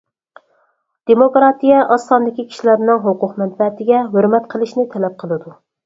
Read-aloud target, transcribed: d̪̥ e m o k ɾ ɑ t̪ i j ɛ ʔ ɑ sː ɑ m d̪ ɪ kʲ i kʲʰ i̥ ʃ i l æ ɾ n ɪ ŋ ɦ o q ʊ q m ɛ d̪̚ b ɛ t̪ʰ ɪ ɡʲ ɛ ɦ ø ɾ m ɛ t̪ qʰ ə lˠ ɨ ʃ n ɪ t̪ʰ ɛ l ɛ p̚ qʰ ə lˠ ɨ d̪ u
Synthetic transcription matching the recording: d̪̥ e m o k ɾ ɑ t̪ i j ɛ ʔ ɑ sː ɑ n d̪ ɪ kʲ i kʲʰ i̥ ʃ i l æ ɾ n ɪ ŋ ɦ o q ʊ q m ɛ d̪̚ b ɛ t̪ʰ ɪ ɡʲ ɛ ɦ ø ɾ m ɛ t̪ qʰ ə lˠ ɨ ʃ n ɪ t̪ʰ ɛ l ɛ p̚ qʰ ə lˠ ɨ d̪ u